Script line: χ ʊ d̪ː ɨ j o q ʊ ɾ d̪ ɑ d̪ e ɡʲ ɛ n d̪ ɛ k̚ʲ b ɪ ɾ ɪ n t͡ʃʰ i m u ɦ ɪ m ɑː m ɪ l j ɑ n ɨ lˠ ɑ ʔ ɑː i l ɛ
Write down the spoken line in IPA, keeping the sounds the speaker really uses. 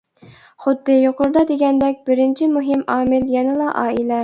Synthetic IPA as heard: χ ʊ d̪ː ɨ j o q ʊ ɾ d̪ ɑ d̪ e ɡʲ ɛ n d̪ ɛ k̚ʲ b ɪ ɾ ɪ n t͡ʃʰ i m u ɦ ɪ m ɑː m ɪ l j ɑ n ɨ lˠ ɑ ʔ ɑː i l ɛ